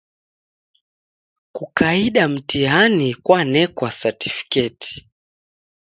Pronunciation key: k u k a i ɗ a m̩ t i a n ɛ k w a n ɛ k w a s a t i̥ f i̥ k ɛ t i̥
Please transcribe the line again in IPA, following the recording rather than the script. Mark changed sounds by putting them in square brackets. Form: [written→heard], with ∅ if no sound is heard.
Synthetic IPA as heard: k u k a i ɗ a m̩ t i a n [ɛ→i] k w a n ɛ k w a s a t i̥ f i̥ k ɛ t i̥

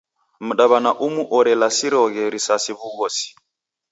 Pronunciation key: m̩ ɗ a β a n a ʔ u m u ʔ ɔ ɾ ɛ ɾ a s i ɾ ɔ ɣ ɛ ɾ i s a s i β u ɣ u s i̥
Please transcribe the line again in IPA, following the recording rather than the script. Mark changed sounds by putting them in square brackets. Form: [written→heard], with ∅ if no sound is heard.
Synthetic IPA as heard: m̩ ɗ a β a n a ʔ u m u ʔ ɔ ɾ ɛ [ɾ→l] a s i ɾ ɔ ɣ ɛ ɾ i s a s i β u ɣ [u→ɔ] s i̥

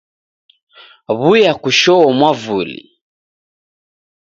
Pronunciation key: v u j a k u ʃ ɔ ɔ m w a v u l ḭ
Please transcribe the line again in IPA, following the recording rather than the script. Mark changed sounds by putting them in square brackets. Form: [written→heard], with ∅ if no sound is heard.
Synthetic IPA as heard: [v→β] u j a k u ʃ ɔ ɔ m w a v u l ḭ

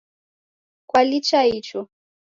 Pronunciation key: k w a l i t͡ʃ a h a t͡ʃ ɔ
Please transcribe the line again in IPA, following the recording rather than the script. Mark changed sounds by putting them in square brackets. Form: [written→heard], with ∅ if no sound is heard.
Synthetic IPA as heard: k w a l i t͡ʃ a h [a→i] t͡ʃ ɔ

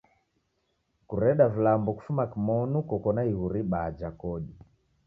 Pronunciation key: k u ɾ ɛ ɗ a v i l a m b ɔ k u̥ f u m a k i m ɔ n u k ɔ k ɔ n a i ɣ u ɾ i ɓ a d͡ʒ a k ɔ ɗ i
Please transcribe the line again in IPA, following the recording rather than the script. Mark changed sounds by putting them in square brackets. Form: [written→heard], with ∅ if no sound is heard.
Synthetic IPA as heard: k u ɾ ɛ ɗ a v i l a m b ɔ k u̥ f u m a k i m ɔ n u k ɔ k ɔ n a i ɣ u ɾ i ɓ a d͡ʒ a k ɔ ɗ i

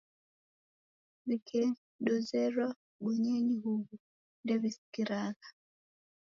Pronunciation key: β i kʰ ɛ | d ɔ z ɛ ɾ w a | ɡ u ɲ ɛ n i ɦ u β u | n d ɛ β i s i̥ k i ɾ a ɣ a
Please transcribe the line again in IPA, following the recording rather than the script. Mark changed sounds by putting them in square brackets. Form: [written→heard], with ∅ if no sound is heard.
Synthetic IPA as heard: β i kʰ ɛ | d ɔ z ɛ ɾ w a | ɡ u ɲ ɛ [n→ɲ] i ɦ u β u | n d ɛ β i s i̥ k i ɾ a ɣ a

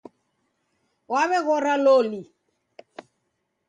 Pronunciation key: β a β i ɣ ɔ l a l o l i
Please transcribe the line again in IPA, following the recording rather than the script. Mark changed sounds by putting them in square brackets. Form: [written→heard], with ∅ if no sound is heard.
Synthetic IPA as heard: [β→w] a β [i→ɛ] ɣ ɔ [l→ɾ] a l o l i

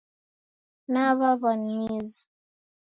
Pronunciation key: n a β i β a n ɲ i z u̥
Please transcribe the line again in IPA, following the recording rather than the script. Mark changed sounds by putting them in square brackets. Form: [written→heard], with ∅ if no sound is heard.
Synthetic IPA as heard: n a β [i→a] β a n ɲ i z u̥

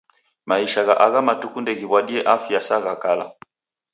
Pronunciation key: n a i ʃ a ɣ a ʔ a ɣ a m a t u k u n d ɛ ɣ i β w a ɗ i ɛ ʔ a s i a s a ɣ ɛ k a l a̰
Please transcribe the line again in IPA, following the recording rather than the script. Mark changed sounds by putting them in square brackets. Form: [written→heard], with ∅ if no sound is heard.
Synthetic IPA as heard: [n→m] a i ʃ a ɣ a ʔ a ɣ a m a t u k u n d ɛ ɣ i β w a ɗ i ɛ ʔ a [s→f] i a s a ɣ [ɛ→a] k a l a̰

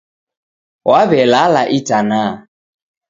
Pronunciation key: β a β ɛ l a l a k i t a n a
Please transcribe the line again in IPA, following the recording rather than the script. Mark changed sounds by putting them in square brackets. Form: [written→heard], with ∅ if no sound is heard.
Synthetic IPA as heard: [β→w] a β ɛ l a l a [k→ʔ] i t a n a

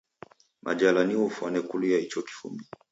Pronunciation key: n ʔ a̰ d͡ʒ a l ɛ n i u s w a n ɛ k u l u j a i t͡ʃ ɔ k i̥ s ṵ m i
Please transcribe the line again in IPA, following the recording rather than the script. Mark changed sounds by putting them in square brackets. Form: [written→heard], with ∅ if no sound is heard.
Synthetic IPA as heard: [n→m] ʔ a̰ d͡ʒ a l [ɛ→a] n i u [s→f] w a n ɛ k u l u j a i t͡ʃ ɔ k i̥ [s→f] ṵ m i

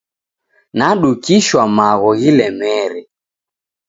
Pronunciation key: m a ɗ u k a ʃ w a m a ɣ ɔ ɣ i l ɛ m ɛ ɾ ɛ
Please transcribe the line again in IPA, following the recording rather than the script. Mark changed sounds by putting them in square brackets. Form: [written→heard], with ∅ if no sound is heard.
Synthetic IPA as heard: [m→n] a ɗ u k [a→i] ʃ w a m a ɣ ɔ ɣ i l ɛ m ɛ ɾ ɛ

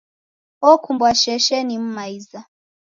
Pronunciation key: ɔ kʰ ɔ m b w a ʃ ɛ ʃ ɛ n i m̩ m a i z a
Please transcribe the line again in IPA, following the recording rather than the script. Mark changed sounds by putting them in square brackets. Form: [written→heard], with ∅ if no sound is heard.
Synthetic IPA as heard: ɔ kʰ [ɔ→u] m b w a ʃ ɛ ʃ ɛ n i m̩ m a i z a

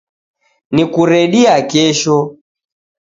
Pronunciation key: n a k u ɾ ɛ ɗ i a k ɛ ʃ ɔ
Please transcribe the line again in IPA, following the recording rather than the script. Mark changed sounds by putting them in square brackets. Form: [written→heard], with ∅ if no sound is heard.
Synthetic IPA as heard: n [a→i] k u ɾ ɛ ɗ i a k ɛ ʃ ɔ

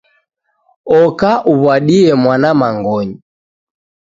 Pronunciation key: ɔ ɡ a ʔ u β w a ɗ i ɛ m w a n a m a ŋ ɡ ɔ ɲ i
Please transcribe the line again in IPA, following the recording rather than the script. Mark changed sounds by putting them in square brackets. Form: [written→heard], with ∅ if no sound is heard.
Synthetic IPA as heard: ɔ [ɡ→k] a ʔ u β w a ɗ i ɛ m w a n a m a ŋ ɡ ɔ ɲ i

